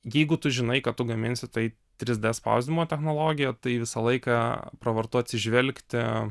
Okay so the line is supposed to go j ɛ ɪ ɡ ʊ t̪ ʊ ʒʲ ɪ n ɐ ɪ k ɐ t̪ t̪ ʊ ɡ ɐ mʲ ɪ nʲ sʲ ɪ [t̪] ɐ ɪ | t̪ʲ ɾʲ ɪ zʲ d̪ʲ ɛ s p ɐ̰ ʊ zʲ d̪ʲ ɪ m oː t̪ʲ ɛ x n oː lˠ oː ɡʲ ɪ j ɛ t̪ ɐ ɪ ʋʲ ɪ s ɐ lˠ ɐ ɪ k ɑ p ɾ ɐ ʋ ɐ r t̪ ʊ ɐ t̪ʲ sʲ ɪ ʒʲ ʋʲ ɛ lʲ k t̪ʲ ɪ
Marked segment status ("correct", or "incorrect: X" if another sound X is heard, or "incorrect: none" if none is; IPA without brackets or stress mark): correct